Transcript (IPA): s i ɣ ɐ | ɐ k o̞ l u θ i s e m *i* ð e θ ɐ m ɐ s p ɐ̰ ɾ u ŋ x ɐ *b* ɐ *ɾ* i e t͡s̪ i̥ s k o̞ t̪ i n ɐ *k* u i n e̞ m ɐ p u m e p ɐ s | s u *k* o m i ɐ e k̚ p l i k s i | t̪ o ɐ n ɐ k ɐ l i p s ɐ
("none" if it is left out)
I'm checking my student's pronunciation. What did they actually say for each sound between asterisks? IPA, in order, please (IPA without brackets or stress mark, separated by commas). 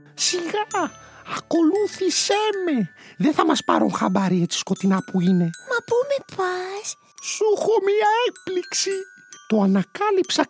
e, b, ɾ, p, x